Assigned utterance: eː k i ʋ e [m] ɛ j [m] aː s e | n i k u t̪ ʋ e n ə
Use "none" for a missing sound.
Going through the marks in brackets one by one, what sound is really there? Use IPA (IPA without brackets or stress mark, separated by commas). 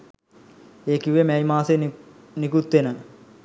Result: m, m